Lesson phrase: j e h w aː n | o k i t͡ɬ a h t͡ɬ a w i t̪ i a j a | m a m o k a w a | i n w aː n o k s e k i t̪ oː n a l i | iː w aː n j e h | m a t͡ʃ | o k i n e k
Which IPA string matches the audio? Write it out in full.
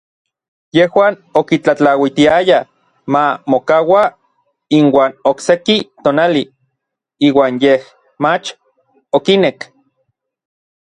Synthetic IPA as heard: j e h w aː n | o k i t͡ɬ a t͡ɬ a w i t̪ i a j a | m a m o k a w a | i n w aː n o k s e k i t̪ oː n a l i | iː w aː n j e h | m a t͡ʃ | o k i n e k